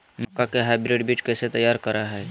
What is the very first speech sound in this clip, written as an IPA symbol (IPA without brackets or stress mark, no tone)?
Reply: m